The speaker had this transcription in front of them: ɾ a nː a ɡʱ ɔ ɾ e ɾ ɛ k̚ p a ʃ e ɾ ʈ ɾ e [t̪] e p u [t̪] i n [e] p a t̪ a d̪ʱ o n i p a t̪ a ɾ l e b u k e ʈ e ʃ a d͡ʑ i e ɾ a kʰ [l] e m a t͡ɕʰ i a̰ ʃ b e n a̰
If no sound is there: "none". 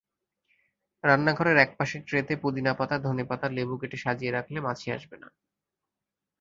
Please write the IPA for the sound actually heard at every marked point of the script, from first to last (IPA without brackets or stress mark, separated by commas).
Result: t̪, d̪, a, l